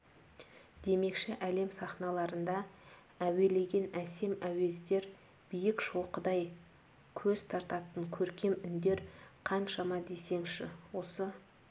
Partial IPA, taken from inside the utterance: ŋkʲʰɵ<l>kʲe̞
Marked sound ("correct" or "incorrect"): incorrect